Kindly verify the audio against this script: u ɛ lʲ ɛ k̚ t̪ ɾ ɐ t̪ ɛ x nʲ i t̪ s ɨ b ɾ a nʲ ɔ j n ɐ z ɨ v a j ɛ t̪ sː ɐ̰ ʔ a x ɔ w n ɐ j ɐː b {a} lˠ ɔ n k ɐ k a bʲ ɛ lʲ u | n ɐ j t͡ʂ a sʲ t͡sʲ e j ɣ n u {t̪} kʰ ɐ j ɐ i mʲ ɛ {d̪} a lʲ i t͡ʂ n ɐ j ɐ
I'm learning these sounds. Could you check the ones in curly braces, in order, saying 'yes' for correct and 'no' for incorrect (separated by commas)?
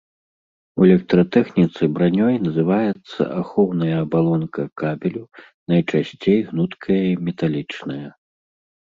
yes, yes, no